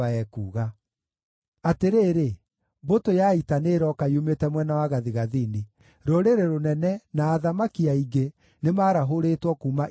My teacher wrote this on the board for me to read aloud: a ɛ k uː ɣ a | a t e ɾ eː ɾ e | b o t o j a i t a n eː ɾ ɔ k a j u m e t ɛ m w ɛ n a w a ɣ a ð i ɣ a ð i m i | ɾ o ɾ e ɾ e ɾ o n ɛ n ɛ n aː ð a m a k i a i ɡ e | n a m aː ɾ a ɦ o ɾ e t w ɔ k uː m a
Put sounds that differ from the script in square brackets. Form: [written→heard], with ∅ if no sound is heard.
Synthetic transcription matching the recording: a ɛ k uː ɣ a | a t e ɾ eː ɾ e | b o t o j a i t a n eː ɾ ɔ k a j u m e t ɛ m w ɛ n a w a ɣ a ð i ɣ a ð i [m→n] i | ɾ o ɾ e ɾ e ɾ o n ɛ n ɛ n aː ð a m a k i a i ɡ e | n [a→e] m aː ɾ a ɦ o ɾ e t w ɔ k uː m a